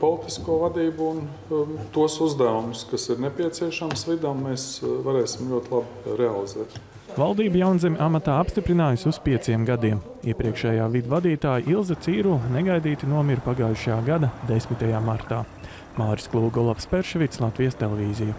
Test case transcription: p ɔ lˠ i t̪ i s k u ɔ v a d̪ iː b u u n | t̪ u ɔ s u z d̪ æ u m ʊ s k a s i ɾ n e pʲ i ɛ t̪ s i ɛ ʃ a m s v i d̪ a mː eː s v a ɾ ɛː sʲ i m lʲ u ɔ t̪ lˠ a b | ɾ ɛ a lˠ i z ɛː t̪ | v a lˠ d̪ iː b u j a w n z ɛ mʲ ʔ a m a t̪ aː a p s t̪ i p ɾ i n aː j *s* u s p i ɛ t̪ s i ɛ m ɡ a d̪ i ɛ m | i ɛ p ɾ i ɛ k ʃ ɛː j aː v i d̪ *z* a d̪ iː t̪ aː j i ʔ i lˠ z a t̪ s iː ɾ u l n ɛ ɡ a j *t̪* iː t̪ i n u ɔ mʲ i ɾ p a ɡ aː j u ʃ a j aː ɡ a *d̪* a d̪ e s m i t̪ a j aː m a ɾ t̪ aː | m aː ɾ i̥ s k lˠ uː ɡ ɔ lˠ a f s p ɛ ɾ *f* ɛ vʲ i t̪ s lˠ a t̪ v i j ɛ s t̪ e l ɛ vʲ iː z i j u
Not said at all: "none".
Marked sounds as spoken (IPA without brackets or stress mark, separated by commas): s, v, d̪, d̪, ʃ